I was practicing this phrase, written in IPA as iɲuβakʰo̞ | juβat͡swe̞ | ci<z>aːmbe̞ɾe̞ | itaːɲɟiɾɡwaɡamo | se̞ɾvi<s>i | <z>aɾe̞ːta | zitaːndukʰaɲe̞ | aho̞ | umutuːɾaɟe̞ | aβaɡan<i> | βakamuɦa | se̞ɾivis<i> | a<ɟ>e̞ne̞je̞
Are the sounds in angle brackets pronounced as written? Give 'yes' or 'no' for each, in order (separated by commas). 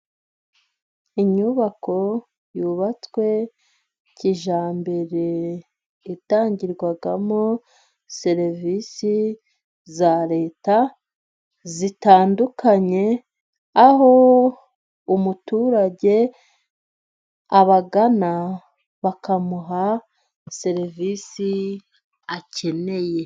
no, yes, yes, no, yes, no